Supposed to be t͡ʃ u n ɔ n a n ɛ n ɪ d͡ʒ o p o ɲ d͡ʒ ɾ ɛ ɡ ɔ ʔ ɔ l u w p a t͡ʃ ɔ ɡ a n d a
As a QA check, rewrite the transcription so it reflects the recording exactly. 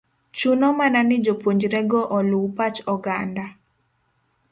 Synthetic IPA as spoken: t͡ʃ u n ɔ m a n a n ɪ d͡ʒ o p o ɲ d͡ʒ ɾ ɛ ɡ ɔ ʔ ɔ l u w p a t͡ʃ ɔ ɡ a n d a